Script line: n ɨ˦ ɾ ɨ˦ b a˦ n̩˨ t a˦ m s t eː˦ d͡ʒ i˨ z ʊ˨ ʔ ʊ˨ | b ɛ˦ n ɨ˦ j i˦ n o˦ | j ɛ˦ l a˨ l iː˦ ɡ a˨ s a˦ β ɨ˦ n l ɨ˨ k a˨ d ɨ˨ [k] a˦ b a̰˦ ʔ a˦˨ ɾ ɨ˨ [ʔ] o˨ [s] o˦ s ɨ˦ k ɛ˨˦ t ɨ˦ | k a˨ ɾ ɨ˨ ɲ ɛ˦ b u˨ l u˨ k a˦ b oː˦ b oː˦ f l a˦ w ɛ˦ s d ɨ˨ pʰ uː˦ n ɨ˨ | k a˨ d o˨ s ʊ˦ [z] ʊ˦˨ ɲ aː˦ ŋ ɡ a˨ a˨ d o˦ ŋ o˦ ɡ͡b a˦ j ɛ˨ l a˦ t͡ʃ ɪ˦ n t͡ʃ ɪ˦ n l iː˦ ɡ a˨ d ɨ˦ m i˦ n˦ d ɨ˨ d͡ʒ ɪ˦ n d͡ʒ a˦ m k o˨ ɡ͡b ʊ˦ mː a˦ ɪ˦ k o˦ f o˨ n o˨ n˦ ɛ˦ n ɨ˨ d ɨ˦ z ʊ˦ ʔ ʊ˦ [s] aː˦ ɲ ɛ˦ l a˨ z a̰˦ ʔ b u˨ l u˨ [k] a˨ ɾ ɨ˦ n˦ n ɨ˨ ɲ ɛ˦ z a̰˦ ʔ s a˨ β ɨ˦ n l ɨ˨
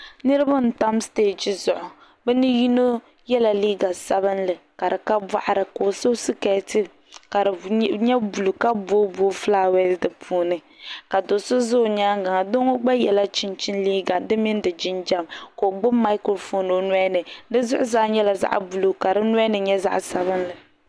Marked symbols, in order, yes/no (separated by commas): yes, no, yes, yes, no, yes